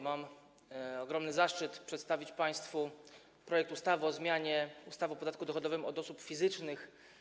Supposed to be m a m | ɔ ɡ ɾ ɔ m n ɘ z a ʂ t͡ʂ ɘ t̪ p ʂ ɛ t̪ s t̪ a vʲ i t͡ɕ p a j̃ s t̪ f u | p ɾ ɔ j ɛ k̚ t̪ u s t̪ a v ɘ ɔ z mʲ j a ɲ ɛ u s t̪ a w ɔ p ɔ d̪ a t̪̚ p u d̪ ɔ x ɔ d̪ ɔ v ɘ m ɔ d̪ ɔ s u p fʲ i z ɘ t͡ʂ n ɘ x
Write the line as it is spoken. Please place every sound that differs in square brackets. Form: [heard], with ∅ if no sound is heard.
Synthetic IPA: m a m | ɔ ɡ ɾ ɔ m n ɘ z a ʂ t͡ʂ ɘ t̪ p ʂ ɛ t̪ s t̪ a vʲ i t͡ɕ p a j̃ s t̪ f u | p ɾ ɔ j ɛ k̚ t̪ u s t̪ a v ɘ ɔ z mʲ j a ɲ ɛ u s t̪ a [v] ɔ p ɔ d̪ a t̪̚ [k] u d̪ ɔ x ɔ d̪ ɔ v ɘ m ɔ d̪ ɔ s u p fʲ i z ɘ t͡ʂ n ɘ x